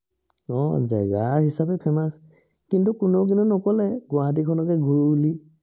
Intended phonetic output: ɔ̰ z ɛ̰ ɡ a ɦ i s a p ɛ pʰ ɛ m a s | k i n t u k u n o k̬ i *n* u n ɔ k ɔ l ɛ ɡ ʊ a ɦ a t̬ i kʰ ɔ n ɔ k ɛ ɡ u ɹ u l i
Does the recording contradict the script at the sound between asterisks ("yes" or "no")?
no